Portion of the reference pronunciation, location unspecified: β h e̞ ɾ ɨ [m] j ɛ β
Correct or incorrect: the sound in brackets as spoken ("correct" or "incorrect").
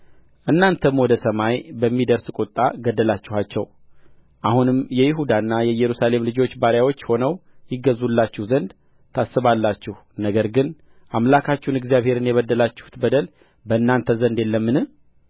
incorrect